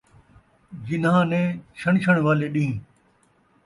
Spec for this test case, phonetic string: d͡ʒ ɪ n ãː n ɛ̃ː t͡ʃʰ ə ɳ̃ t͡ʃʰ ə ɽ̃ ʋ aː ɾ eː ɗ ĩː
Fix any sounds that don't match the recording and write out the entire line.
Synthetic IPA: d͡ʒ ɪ n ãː n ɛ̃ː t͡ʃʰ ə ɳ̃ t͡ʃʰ ə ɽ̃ ʋ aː l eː ɗ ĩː